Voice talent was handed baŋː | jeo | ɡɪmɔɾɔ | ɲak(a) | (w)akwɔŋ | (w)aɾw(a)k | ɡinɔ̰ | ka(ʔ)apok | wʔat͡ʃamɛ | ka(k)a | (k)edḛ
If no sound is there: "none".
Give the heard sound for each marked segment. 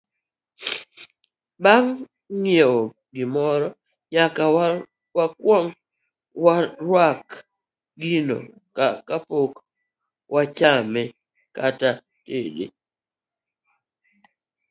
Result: a, w, w, a, k, t, t

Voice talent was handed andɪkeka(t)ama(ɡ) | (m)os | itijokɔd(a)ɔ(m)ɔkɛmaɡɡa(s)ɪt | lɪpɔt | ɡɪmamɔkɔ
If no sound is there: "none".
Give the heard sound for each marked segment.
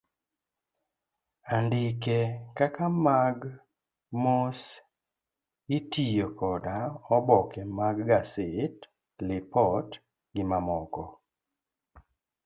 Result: k, ɡ, m, a, b, s

